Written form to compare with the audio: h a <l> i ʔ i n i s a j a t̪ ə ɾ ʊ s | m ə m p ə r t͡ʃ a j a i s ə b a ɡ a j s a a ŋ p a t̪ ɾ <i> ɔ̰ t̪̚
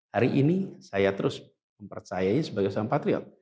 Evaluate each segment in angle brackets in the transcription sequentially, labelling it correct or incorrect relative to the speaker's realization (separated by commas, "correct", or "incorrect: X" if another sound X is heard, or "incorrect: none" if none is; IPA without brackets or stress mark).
incorrect: ɾ, correct